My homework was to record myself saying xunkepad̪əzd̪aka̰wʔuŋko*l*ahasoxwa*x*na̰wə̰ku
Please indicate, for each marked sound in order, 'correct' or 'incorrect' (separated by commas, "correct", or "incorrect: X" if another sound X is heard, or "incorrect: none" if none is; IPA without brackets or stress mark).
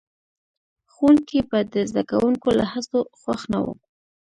correct, correct